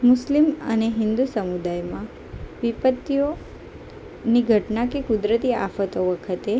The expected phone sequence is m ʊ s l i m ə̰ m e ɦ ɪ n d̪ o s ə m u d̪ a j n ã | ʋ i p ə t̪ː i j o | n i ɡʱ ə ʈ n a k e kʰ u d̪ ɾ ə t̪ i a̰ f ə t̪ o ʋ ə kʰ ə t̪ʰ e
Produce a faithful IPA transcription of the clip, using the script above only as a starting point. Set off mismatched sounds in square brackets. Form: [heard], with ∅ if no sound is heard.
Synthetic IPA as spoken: m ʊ s l i m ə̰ [n] e ɦ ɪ n d̪ [u] s ə m u d̪ a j [m] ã | ʋ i p ə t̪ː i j o | n i ɡʱ ə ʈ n a k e [k] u d̪ ɾ ə t̪ i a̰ f ə t̪ o ʋ ə kʰ ə [t̪] e